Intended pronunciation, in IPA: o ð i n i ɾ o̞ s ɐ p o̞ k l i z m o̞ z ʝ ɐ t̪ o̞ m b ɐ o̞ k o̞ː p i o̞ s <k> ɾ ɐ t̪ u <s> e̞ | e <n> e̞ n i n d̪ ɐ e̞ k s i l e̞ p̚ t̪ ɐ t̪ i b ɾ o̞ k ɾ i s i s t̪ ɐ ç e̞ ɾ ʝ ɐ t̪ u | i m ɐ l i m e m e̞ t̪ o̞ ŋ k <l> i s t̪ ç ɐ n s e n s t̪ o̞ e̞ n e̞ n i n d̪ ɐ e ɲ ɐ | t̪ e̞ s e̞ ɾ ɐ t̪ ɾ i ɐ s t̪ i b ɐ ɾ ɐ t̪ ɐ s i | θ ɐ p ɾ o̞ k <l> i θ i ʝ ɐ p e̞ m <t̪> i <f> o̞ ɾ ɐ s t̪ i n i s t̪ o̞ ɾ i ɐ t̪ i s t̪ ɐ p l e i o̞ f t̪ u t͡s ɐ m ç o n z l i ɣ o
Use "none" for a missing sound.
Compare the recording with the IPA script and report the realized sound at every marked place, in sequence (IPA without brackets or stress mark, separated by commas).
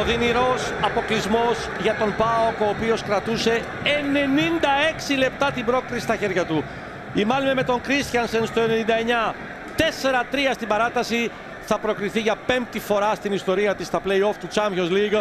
k, s, n, ɾ, ɾ, t̪, f